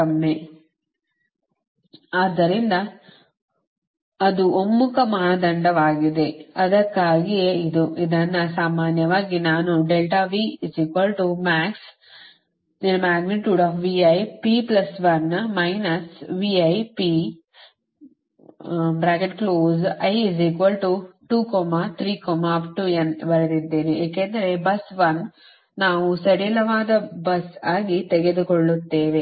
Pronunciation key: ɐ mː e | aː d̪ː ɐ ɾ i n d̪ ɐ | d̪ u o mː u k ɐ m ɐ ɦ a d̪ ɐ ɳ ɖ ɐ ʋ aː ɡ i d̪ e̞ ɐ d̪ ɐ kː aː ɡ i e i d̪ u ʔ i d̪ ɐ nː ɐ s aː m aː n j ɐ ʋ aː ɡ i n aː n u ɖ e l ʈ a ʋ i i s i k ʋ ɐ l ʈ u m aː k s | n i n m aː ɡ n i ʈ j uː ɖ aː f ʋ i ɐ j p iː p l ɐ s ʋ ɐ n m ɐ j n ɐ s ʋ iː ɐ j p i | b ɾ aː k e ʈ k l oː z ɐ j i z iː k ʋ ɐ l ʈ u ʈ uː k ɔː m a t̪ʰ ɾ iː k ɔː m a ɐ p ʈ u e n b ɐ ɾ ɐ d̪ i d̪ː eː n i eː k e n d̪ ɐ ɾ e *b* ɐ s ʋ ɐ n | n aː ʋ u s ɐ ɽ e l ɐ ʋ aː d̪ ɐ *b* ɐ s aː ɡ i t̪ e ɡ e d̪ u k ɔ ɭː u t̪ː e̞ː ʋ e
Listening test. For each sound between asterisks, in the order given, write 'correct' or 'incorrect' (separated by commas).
correct, correct